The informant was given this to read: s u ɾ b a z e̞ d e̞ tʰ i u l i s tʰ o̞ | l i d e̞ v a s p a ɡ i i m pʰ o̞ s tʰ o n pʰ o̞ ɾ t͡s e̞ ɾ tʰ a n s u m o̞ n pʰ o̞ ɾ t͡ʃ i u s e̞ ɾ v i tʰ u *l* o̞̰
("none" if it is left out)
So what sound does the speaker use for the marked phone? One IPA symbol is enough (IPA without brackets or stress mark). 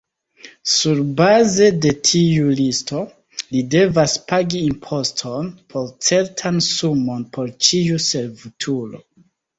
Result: l